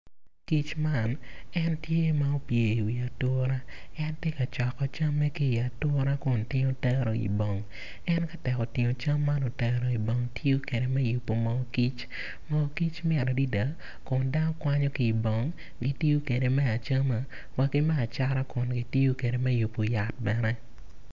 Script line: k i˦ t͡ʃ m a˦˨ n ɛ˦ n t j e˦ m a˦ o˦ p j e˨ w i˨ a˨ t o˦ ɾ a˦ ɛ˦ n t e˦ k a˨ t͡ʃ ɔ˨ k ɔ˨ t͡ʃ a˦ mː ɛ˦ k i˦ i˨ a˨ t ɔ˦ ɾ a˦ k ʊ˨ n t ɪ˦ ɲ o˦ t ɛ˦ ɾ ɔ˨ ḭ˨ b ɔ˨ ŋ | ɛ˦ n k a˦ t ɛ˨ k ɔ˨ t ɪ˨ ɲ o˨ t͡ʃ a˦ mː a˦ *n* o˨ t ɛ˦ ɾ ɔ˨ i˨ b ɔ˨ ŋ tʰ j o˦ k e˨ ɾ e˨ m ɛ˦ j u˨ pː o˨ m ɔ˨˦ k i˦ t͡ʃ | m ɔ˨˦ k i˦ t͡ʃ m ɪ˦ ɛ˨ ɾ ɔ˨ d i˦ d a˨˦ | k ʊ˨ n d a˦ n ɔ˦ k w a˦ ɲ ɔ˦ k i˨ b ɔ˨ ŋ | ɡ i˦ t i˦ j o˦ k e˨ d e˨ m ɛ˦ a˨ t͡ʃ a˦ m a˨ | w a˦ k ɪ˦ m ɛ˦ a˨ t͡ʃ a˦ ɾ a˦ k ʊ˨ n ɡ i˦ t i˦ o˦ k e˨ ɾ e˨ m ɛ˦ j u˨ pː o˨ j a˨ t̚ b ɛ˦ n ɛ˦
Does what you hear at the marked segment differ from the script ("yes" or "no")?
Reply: no